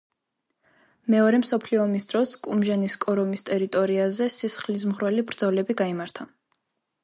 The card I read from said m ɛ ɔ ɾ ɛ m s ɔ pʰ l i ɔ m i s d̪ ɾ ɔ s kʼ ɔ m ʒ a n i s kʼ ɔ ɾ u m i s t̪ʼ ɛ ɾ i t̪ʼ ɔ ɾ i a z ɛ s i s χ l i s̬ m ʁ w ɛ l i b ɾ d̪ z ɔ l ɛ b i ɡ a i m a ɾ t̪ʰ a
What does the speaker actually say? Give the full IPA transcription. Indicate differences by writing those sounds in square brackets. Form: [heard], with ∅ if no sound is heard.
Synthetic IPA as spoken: m ɛ ɔ ɾ ɛ m s ɔ pʰ l i ɔ m i s d̪ ɾ ɔ s kʼ [u] m ʒ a n i s kʼ ɔ ɾ [ɔ] m i s t̪ʼ ɛ ɾ i t̪ʼ ɔ ɾ i a z ɛ s i s χ l i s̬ m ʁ w ɛ l i b ɾ d̪ z ɔ l ɛ b i ɡ a i m a ɾ t̪ʰ a